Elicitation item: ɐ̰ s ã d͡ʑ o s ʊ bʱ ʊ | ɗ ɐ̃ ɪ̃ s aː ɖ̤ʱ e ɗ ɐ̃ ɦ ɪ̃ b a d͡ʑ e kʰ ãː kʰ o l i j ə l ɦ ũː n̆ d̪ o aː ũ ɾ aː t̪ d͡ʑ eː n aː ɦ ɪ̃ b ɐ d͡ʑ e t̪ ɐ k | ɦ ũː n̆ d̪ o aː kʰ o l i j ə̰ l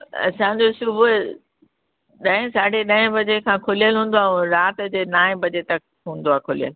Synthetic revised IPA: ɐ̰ s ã d͡ʑ o s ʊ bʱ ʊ | ɗ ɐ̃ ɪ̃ s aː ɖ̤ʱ e ɗ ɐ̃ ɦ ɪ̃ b ɐ d͡ʑ e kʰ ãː kʰ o l i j ə l ɦ ũː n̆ d̪ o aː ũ ɾ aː t̪ d͡ʑ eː n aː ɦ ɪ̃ b ɐ d͡ʑ e t̪ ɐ k | ɦ ũː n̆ d̪ o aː kʰ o l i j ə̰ l